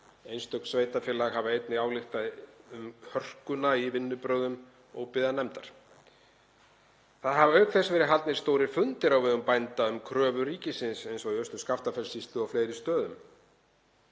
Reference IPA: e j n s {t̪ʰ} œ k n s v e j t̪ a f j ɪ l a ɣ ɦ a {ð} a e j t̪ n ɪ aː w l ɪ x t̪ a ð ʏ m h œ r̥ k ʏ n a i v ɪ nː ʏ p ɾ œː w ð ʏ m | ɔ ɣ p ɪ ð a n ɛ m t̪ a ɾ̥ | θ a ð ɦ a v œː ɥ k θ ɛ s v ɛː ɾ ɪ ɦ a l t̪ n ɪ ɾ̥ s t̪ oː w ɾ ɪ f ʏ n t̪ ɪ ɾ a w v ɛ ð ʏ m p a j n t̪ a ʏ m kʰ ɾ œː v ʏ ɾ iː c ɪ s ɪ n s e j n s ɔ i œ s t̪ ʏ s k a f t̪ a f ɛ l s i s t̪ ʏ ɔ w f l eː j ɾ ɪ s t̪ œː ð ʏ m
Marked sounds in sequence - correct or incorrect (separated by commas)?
incorrect, incorrect